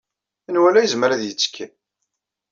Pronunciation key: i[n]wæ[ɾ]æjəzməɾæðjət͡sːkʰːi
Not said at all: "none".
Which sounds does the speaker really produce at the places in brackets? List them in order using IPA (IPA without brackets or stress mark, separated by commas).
n, l